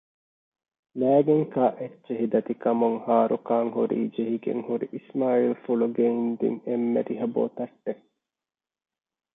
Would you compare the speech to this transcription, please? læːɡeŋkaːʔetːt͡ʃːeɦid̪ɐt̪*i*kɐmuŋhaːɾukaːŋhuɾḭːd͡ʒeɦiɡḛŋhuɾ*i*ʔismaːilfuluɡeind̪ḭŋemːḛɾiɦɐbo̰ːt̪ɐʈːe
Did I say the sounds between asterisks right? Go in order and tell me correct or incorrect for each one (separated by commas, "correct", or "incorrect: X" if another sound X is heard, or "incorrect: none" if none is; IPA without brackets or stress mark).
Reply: correct, correct